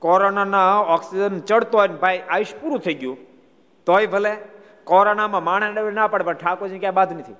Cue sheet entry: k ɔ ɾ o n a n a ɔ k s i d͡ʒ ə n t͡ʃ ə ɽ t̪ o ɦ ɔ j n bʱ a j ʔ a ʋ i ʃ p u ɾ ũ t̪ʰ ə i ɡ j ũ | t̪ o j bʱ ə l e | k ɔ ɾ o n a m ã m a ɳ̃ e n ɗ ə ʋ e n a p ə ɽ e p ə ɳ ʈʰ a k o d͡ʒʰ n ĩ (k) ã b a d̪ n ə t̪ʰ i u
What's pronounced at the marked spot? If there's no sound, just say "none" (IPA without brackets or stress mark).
k